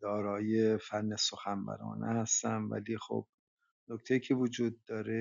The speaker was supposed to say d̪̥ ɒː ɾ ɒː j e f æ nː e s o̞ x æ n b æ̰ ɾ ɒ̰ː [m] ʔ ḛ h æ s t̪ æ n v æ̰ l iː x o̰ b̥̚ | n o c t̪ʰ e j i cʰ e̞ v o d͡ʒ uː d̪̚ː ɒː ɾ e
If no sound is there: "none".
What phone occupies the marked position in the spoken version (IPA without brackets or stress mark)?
n